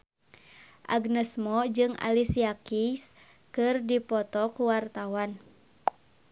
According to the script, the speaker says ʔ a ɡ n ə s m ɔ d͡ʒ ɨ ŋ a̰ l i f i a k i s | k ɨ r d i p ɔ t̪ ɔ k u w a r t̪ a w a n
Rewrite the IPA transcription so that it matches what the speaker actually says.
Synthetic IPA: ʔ a ɡ n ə s m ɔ d͡ʒ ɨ ŋ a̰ l i s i a k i s | k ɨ r d i p ɔ t̪ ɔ k u w a r t̪ a w a n